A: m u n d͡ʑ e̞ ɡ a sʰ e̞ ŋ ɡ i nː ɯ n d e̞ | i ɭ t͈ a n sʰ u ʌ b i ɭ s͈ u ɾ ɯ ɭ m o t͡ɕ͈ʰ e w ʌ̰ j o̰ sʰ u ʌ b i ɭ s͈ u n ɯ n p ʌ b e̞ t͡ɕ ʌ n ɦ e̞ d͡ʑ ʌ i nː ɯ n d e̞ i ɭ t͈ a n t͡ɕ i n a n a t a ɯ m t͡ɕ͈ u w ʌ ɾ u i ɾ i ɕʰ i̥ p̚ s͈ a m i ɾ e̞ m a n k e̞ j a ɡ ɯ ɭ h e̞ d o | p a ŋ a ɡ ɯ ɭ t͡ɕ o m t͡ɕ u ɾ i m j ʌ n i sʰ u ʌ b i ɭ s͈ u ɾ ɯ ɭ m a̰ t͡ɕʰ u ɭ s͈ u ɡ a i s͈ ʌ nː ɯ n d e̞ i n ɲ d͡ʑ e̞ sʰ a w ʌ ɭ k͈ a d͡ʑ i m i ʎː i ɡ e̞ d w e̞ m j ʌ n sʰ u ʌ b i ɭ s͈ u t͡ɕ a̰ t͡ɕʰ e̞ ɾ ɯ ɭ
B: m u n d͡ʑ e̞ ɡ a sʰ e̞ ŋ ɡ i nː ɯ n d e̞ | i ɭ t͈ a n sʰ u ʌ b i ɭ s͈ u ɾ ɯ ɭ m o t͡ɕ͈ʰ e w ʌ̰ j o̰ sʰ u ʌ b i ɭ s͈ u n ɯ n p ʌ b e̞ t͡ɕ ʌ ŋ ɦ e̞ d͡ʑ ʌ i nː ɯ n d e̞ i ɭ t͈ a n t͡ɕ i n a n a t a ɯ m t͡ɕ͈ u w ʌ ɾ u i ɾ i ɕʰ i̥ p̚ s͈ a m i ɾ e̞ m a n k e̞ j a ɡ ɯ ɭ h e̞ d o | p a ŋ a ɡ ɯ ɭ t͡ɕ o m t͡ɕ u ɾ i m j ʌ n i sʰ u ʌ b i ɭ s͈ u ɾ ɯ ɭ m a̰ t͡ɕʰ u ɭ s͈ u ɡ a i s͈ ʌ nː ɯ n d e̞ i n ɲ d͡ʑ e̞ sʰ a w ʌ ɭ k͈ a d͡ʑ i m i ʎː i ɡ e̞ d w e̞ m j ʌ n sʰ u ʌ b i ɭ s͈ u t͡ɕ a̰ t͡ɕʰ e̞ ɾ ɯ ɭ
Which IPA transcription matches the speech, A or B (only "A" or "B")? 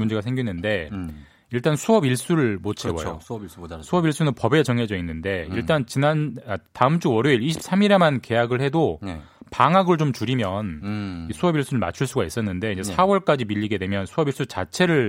B